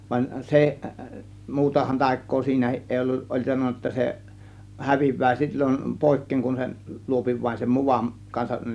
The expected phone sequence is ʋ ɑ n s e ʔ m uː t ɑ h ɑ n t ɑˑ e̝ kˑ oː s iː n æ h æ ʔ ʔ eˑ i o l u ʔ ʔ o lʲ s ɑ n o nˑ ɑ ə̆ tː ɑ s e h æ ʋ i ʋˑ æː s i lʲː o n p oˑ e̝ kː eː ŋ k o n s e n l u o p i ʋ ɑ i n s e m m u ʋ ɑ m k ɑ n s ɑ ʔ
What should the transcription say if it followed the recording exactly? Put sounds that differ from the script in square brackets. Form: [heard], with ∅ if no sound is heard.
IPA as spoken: ʋ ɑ n s e ʔ m uː t ɑ h ɑ n t ɑˑ e̝ kˑ oː s iː n æ h [i] ʔ ʔ eˑ i o [lː] u ʔ ʔ o lʲ s ɑ n o nˑ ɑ ə̆ tː ɑ s e h æ ʋ i ʋˑ æː s i lʲː o n p oˑ e̝ kː eː ŋ k [u] n s e n l u o p i ʋ ɑ i n s e m m u ʋ ɑ m k ɑ n s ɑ ʔ